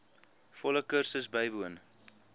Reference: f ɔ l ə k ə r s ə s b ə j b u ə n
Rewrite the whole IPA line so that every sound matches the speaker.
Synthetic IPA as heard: f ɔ l ə k ə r s ə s b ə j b u ə n

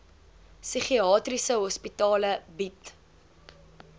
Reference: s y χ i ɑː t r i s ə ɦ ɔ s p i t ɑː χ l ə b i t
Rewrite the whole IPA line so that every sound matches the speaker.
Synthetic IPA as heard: s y χ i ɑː t r i s ə ɦ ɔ s p i t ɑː l ə b i t

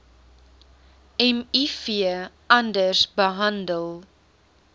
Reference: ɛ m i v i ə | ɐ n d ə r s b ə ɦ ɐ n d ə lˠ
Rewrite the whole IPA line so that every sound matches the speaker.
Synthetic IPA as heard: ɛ m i f i ə | ɐ n d ə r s b ə ɦ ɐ n d ə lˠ

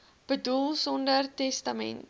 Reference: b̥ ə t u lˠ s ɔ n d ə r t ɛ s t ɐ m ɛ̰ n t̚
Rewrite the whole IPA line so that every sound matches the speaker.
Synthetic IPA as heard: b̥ ə d u lˠ s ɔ n d ə r t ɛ s t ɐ m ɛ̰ n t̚

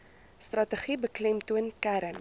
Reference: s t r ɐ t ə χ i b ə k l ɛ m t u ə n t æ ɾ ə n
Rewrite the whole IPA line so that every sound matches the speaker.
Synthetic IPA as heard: s t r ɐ t ə χ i b ə k l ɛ m t u ə n k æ ɾ ə n

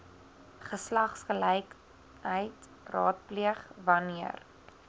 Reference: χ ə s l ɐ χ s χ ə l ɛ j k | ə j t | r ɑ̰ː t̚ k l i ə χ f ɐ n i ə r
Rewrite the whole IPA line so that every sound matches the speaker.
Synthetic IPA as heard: χ ə s l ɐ χ s χ ə l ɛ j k | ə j t | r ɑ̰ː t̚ p l i ə χ v ɐ n i ə r

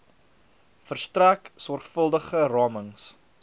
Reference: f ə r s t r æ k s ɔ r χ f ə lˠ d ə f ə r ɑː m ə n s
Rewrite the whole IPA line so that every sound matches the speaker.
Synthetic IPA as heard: f ə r s t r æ k s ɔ r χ f ə lˠ d ə χ ə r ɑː m ə ŋ s

